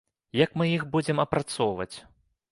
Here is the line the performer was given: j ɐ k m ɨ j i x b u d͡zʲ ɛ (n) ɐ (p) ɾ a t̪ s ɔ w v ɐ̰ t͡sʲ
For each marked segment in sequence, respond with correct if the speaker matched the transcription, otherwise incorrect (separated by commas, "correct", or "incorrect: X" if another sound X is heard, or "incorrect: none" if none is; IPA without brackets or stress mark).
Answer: incorrect: m, correct